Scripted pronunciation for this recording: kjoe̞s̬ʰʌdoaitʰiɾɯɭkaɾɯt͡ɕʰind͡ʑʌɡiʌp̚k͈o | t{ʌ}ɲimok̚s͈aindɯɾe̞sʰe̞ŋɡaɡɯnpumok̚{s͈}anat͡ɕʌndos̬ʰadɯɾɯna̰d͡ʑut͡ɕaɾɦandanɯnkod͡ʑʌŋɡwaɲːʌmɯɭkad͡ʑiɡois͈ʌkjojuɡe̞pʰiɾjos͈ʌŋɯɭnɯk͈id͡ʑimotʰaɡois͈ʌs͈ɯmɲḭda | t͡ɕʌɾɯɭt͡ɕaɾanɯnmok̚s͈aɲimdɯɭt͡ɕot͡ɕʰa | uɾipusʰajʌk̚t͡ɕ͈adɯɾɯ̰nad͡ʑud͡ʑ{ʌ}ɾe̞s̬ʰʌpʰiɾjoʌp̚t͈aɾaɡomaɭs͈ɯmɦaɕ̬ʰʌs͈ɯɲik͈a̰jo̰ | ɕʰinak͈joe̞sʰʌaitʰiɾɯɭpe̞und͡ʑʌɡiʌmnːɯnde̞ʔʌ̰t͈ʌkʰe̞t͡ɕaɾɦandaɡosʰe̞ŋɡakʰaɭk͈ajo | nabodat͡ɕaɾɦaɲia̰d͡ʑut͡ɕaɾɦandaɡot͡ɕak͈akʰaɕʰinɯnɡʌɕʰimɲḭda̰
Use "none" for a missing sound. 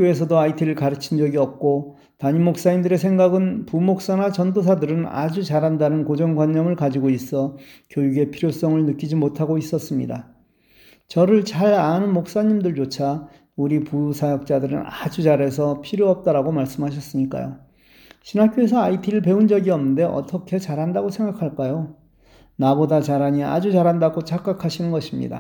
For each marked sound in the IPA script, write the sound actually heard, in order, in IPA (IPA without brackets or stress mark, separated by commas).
a, s͈, a